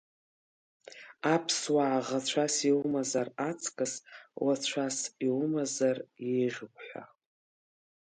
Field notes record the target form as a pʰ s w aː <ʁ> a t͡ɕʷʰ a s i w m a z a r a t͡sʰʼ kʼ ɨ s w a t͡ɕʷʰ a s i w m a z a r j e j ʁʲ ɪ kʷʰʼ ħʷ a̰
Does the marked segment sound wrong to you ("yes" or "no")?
no